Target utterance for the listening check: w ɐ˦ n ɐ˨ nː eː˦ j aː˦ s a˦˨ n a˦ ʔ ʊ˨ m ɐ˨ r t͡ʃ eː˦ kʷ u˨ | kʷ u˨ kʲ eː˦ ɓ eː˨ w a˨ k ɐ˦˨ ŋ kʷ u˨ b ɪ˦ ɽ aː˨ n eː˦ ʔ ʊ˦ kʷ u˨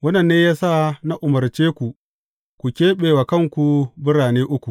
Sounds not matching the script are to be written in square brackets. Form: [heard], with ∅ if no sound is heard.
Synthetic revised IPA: w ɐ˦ n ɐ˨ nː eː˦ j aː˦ s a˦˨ n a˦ ʔ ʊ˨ m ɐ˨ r t͡ʃ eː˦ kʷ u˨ | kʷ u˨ kʲ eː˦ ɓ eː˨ w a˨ k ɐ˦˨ ŋ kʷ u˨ b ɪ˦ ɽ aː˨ n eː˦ ʔ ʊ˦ kʷ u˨